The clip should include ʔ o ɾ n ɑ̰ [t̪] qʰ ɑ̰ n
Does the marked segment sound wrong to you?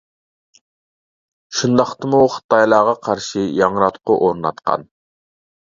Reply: no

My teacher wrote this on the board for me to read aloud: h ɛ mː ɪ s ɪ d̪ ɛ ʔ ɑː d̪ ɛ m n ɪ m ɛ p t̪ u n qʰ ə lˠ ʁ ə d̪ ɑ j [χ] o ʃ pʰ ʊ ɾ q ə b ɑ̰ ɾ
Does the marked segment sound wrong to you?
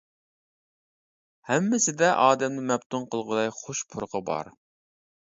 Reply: no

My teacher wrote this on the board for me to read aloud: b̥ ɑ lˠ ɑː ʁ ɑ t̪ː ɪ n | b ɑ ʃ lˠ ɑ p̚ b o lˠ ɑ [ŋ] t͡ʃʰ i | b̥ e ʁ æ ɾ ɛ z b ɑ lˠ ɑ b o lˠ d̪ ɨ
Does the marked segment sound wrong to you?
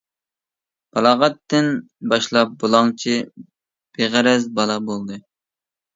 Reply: no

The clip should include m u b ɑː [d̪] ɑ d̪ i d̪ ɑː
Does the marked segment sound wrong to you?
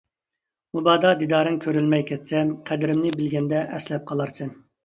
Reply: no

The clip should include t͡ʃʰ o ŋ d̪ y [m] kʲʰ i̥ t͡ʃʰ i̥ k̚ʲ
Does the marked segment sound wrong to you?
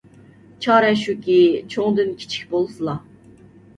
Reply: yes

